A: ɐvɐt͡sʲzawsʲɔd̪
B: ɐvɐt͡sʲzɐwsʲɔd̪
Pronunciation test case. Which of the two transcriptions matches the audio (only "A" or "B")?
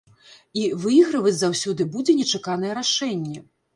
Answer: A